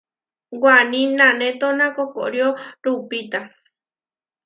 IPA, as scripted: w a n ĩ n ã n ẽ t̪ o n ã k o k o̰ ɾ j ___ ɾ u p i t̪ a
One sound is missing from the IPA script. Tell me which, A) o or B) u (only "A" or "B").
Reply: A